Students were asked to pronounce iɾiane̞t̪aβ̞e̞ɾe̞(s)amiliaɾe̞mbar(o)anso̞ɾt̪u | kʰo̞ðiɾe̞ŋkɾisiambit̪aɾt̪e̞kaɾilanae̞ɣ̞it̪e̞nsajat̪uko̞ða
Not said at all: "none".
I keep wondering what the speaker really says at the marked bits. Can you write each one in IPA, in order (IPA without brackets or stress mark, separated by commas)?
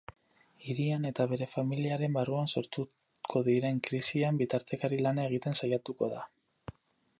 f, u